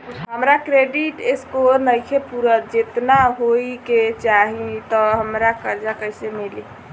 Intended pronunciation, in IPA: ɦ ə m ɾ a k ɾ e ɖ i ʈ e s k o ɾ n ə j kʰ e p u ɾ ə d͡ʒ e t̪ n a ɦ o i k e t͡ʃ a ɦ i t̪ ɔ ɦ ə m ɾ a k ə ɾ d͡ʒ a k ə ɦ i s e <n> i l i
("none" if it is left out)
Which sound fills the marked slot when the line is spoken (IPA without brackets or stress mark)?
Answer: m